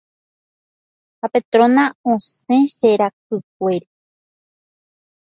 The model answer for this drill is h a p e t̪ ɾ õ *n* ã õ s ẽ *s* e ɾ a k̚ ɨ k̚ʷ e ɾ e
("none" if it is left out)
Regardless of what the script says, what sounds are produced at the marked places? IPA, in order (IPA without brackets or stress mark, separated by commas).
n, ʃ